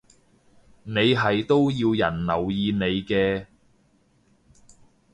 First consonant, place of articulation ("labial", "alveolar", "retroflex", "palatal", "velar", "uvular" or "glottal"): alveolar